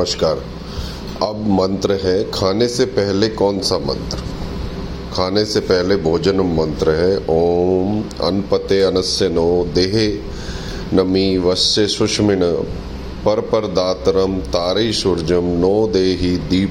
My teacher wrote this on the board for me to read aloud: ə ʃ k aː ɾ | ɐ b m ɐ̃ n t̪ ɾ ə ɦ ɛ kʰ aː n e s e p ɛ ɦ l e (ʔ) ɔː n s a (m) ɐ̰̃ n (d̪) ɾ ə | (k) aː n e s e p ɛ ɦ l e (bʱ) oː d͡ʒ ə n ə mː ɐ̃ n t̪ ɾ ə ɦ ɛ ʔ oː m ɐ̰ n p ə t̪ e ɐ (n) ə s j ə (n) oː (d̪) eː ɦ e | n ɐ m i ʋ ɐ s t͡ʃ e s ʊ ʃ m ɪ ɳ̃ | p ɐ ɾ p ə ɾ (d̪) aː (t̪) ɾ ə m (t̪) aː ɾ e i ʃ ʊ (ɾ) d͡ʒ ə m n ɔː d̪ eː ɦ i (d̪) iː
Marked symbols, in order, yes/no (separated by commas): no, yes, no, no, yes, yes, yes, yes, yes, yes, yes, yes, yes